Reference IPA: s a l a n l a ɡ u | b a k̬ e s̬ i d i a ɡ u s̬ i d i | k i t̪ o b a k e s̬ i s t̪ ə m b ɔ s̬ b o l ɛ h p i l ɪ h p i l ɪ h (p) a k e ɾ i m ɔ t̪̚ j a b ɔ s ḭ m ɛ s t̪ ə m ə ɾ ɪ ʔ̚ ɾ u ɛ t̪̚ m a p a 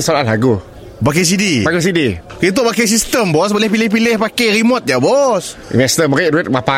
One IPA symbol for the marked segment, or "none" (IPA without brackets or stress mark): p